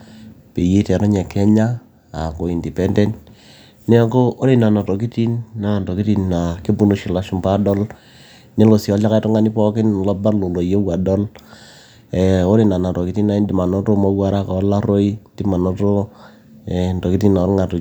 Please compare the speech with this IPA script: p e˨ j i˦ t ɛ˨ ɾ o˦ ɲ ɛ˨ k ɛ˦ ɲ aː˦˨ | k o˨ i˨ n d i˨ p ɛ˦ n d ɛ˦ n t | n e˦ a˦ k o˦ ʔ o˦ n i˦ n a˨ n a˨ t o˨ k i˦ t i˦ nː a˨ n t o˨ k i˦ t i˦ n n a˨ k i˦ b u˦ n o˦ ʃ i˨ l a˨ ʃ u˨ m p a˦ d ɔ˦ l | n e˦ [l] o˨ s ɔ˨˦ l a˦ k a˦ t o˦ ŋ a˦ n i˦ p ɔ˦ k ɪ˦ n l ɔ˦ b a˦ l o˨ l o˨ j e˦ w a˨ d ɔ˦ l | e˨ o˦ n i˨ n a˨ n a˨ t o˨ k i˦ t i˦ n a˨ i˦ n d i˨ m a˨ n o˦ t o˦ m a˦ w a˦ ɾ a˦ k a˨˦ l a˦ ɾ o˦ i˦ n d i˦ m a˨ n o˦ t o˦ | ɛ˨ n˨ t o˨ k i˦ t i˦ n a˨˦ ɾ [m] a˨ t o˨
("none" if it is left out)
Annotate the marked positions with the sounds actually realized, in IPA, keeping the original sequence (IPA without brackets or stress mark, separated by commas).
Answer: l, ŋ